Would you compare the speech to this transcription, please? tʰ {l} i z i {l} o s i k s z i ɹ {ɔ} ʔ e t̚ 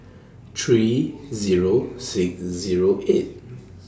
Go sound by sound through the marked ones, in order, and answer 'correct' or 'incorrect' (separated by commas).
incorrect, incorrect, incorrect